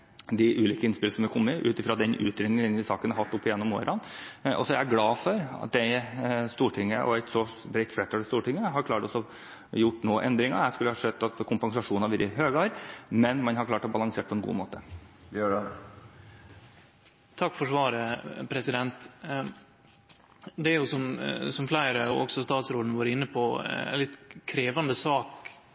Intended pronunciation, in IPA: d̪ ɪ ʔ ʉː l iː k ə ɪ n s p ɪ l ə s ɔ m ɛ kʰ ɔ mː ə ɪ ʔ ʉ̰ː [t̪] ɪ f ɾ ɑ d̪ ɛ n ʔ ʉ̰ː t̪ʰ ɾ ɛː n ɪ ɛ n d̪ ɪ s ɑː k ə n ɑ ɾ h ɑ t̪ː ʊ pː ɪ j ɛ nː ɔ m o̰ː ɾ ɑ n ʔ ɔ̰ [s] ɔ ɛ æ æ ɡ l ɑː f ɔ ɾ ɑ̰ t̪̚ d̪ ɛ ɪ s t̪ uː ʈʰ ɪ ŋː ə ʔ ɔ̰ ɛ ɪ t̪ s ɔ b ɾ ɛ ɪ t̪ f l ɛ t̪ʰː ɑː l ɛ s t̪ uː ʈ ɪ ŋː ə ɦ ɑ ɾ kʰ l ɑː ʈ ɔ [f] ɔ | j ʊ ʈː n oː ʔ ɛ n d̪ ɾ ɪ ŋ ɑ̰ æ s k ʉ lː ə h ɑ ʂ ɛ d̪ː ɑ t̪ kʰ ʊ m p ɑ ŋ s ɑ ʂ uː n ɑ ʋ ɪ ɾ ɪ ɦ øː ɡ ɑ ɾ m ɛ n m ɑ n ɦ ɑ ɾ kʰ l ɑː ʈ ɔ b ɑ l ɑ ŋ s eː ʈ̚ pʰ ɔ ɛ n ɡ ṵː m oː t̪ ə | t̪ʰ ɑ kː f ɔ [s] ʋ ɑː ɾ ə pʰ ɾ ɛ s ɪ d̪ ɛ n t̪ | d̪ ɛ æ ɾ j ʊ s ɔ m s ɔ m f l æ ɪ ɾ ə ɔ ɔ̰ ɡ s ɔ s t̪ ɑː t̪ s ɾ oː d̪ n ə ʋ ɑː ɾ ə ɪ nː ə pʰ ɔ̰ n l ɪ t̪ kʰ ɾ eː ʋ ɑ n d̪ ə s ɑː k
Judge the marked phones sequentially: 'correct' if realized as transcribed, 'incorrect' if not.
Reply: correct, correct, incorrect: s, incorrect: ʂ

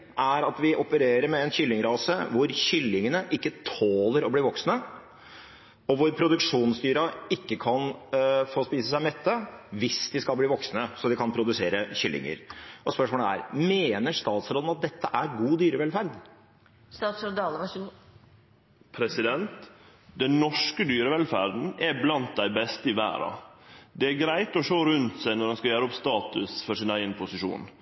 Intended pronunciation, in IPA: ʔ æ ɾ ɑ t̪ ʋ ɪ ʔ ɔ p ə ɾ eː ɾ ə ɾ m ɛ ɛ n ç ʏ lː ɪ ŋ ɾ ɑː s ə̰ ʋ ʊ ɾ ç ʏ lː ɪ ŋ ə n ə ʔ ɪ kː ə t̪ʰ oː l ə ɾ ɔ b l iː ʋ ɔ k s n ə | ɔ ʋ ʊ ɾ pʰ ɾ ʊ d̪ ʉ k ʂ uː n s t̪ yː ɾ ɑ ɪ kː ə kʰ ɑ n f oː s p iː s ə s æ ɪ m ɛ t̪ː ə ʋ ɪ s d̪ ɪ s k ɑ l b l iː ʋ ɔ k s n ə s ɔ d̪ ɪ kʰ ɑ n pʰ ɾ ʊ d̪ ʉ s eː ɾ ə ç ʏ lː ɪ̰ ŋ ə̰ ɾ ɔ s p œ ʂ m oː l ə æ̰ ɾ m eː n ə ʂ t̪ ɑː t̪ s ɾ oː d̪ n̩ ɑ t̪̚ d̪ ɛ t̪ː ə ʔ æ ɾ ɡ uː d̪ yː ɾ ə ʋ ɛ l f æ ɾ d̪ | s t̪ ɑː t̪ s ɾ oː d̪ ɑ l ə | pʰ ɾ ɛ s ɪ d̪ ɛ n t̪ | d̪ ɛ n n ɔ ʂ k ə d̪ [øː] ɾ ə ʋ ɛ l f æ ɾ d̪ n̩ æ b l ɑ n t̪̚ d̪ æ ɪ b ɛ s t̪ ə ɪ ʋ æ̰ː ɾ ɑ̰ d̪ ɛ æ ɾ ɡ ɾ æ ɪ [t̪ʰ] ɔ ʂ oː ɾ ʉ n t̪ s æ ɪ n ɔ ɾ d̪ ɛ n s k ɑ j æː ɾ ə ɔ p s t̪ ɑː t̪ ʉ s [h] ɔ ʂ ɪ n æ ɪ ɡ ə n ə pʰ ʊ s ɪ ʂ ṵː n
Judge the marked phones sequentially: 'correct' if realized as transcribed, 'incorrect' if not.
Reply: incorrect: yː, incorrect: t̪, incorrect: f

